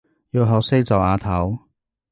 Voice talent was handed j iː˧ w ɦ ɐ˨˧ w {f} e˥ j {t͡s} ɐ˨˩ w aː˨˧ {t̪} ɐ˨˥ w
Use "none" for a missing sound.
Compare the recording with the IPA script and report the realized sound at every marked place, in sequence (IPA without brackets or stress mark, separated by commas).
s, t͡s, t̪ʰ